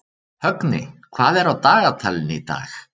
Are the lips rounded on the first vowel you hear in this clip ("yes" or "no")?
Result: yes